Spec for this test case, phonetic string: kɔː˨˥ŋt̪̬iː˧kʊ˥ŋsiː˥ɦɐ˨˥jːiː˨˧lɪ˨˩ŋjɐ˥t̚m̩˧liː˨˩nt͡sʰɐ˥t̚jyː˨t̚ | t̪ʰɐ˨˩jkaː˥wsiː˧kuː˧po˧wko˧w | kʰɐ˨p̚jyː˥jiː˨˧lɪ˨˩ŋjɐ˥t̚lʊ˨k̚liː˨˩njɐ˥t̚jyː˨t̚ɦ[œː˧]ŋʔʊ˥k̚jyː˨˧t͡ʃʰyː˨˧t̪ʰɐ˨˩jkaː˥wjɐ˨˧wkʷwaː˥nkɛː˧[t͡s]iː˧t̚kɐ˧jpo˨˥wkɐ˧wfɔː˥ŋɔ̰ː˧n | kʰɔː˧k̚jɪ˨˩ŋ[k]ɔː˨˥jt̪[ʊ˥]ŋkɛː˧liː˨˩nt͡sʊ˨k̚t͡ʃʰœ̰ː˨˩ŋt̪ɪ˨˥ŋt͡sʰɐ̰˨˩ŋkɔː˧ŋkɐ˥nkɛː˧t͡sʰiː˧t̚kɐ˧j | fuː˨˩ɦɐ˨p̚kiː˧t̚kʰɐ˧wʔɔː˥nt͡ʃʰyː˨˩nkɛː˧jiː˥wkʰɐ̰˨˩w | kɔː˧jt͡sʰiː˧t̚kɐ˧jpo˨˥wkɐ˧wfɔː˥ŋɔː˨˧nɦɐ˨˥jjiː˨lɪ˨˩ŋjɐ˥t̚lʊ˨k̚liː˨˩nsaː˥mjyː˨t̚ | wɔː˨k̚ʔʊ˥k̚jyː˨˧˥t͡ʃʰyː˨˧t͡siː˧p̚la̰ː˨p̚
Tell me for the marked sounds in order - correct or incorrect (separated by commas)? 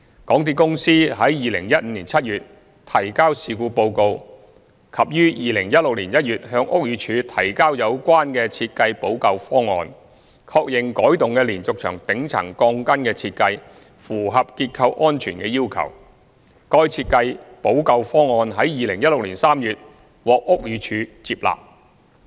correct, incorrect, correct, incorrect